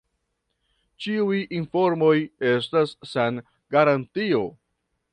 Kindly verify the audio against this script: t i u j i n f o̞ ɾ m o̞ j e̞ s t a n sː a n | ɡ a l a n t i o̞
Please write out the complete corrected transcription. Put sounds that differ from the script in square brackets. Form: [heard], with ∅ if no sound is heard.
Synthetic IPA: [t͡ʃ] i u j i n f o̞ ɾ m o̞ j e̞ s t a [∅] sː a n | ɡ a [ɾ] a n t i o̞